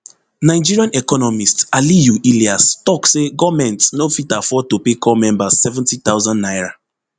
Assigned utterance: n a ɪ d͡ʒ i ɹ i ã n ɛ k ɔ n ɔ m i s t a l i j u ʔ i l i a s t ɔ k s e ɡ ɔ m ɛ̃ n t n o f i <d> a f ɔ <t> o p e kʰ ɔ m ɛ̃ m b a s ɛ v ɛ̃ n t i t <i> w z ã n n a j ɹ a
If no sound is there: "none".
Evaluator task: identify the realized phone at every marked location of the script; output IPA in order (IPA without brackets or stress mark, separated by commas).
t, t, a